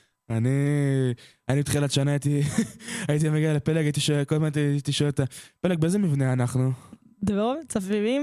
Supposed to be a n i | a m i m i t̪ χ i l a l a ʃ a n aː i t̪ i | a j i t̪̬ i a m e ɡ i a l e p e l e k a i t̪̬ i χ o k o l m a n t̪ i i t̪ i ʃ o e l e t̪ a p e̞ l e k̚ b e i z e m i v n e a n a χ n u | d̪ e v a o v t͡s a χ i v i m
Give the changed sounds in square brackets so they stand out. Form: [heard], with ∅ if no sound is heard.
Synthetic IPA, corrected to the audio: a n i | a [n] i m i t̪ χ i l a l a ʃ a n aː i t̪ i | a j i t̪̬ i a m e ɡ i a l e p e l e k a i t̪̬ i [ʃ] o k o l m a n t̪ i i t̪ i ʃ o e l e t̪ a p e̞ l e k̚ b e [e] z e m i v n e a n a χ n u | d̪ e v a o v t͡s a [f] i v i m